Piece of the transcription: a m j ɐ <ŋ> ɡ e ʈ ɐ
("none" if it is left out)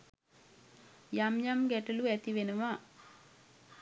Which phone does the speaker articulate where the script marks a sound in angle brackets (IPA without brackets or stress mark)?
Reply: m